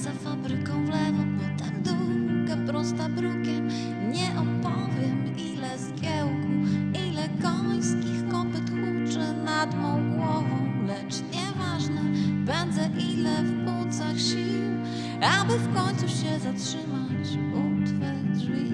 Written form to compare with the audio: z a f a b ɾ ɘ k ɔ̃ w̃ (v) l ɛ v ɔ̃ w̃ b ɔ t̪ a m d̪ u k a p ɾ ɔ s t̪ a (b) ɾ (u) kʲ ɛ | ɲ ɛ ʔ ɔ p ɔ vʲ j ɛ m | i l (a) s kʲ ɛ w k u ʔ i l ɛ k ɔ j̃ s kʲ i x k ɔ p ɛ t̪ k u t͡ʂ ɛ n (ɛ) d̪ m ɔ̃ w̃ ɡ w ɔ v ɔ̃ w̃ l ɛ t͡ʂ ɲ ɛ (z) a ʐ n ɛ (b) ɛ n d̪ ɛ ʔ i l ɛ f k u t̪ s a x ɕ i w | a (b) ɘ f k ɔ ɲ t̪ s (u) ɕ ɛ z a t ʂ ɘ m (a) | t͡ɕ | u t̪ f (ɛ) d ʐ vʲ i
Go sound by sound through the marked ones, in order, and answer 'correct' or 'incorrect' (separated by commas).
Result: correct, correct, correct, incorrect, incorrect, incorrect, correct, correct, correct, correct, correct